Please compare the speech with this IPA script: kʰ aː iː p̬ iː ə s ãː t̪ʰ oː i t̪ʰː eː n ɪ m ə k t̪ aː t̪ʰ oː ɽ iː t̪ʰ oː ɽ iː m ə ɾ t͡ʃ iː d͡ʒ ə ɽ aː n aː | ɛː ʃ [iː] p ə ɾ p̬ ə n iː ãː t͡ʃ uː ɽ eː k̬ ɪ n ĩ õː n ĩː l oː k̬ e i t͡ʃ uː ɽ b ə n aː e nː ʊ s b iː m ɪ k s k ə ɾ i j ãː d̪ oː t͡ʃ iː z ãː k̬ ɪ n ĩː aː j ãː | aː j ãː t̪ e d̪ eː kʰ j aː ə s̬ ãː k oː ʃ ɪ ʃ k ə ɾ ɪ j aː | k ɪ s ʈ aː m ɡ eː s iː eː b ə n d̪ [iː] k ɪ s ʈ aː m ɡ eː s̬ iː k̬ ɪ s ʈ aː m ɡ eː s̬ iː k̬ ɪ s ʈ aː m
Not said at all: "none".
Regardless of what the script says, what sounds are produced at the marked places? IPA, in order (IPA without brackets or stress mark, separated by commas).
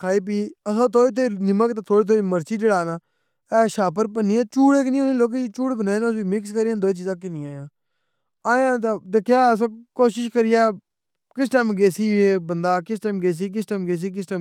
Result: aː, aː